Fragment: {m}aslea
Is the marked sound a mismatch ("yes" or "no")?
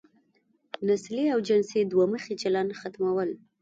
yes